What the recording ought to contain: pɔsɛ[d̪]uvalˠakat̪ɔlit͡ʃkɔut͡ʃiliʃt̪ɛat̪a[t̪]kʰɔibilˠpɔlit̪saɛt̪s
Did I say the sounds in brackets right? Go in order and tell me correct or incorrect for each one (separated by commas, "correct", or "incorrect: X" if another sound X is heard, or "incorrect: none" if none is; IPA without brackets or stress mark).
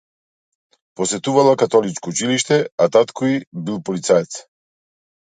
incorrect: t̪, correct